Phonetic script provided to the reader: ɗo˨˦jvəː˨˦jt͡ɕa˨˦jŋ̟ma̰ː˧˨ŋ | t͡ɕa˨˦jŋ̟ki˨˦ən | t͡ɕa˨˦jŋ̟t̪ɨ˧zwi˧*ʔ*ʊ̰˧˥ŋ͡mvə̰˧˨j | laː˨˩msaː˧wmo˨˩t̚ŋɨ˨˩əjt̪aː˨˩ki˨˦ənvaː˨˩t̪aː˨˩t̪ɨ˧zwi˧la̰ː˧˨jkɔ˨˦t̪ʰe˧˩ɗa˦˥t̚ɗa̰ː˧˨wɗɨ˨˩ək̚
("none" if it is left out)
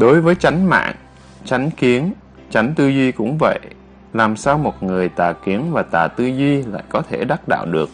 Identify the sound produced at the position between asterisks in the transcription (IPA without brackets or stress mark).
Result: k